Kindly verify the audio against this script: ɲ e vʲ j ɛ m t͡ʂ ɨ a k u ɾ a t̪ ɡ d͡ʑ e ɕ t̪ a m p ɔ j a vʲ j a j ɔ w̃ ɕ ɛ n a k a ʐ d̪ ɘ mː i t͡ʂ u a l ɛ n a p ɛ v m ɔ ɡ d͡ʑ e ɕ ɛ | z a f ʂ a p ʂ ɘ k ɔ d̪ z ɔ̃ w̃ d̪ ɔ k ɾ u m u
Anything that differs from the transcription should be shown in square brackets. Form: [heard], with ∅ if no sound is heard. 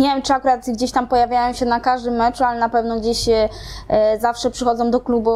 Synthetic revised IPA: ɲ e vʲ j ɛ m t͡ʂ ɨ a k u ɾ a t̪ ɡ d͡ʑ e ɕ t̪ a m p ɔ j a vʲ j a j ɔ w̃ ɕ ɛ n a k a ʐ d̪ ɘ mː [ɛ] t͡ʂ u a l ɛ n a p ɛ v [n] ɔ ɡ d͡ʑ e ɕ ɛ | z a f ʂ [ɛ] p ʂ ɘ [x] ɔ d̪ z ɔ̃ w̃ d̪ ɔ k [l] u [b] u